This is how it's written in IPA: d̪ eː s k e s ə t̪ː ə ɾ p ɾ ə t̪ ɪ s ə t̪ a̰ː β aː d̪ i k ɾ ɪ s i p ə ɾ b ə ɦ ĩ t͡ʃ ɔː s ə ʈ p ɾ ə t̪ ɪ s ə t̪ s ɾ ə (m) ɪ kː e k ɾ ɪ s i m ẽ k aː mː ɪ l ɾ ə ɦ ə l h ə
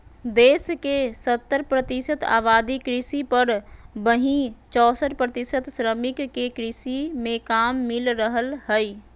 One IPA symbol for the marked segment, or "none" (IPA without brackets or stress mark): m